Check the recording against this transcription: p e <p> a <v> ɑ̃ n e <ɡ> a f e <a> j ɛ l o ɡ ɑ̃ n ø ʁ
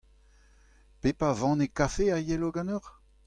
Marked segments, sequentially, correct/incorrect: correct, correct, incorrect, correct

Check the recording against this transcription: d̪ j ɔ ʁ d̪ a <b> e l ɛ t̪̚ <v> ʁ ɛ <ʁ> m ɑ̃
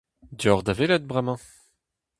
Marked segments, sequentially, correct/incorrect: incorrect, incorrect, incorrect

